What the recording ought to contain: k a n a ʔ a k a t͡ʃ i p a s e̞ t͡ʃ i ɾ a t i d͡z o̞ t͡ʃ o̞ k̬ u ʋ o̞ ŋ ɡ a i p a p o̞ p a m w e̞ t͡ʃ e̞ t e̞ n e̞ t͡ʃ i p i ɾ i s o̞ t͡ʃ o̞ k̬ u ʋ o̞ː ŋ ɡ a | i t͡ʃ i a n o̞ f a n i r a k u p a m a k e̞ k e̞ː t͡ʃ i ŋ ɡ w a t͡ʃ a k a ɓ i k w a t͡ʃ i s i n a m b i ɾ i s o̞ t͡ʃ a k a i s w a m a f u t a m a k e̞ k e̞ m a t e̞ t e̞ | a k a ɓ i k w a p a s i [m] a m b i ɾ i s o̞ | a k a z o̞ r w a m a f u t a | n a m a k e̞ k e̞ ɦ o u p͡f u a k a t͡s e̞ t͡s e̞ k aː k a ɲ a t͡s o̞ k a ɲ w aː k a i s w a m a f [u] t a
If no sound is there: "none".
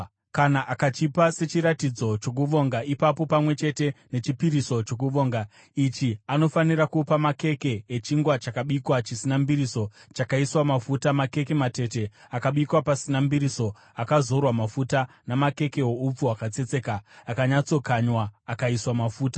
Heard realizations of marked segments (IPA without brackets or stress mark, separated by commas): n, uː